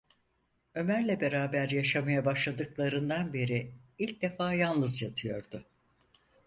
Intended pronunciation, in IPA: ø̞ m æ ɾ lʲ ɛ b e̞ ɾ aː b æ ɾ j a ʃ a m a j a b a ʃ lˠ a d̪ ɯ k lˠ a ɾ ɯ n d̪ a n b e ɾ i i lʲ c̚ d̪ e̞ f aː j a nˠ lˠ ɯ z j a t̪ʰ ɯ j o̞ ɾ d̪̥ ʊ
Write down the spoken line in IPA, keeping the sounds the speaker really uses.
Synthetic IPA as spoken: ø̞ m æ ɾ lʲ ɛ b e̞ ɾ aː b æ ɾ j a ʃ a m a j a b a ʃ lˠ a d̪ ɯ k lˠ a ɾ ɯ n d̪ a n b e ɾ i i lʲ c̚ d̪ e̞ f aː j a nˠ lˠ ɯ z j a t̪ʰ ɯ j o̞ ɾ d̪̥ ʊ